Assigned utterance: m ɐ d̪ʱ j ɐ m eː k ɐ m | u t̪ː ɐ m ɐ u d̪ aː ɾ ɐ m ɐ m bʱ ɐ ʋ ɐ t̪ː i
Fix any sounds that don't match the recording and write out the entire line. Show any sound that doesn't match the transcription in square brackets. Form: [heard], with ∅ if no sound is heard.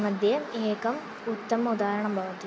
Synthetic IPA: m ɐ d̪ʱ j ɐ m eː k ɐ m | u t̪ː ɐ m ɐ u d̪ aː ɾ ɐ [ɳ] ɐ m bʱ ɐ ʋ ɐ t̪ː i